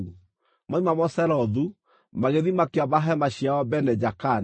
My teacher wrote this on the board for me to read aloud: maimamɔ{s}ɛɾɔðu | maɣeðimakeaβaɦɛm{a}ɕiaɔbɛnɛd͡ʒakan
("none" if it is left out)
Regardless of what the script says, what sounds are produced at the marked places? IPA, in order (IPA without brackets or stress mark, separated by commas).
s, a